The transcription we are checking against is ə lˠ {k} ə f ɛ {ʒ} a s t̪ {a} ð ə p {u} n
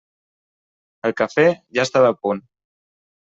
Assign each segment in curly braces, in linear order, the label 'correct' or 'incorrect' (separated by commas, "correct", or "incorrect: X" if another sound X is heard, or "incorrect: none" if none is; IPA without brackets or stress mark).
correct, correct, correct, correct